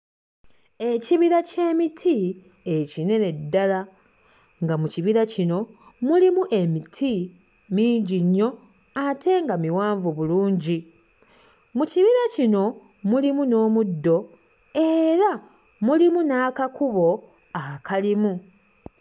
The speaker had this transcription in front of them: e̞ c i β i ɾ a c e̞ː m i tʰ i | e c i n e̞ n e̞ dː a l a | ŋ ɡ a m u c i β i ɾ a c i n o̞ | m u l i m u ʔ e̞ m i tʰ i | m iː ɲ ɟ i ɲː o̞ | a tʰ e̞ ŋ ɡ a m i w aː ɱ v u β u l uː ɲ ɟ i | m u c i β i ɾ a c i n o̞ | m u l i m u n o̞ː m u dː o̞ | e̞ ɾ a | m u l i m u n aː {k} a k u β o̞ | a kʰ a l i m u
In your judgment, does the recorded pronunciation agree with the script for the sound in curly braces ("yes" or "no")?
yes